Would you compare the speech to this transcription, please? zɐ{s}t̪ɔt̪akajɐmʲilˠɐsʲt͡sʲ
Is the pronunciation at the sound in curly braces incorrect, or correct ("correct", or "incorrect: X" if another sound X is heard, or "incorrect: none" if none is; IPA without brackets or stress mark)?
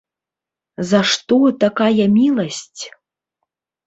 incorrect: ʂ